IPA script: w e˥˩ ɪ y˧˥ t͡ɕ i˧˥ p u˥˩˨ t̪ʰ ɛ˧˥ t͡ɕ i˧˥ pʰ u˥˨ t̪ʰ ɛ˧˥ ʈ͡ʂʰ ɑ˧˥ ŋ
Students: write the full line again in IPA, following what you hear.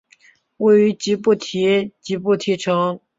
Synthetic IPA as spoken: w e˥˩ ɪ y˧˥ t͡ɕ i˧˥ p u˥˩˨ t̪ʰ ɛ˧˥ t͡ɕ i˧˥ p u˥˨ t̪ʰ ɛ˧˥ ʈ͡ʂʰ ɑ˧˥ ŋ